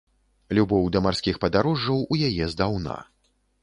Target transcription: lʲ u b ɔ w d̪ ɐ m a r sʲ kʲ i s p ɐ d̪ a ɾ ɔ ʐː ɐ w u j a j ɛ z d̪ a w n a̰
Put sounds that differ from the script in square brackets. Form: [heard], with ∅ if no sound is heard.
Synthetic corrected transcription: lʲ u b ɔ w d̪ ɐ m a r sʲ kʲ i [x] p ɐ d̪ a ɾ ɔ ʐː ɐ w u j a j ɛ z d̪ a w n a̰